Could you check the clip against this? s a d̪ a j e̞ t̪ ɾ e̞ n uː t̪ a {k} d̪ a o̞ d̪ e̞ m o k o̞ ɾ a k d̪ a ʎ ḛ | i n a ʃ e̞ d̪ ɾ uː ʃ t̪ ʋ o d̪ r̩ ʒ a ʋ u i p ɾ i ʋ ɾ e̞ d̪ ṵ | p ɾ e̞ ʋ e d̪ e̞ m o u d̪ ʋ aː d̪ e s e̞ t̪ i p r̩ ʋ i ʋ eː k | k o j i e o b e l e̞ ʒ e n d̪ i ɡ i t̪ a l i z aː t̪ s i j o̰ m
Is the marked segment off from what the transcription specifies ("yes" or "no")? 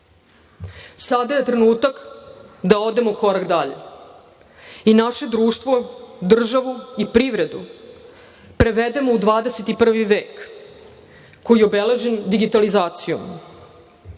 no